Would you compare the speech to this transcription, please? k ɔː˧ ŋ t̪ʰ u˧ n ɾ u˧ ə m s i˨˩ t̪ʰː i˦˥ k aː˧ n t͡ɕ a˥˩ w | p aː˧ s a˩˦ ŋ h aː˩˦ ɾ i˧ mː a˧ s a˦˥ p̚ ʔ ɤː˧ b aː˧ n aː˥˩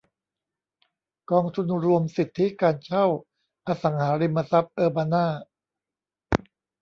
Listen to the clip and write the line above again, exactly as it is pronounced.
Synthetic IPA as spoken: k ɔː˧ ŋ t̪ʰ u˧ n ɾ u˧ ə m s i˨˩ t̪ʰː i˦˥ k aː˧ n t͡ɕʰ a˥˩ w | ʔ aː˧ s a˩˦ ŋ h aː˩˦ ɾ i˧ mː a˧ s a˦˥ p̚ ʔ ɤː˧ b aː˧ n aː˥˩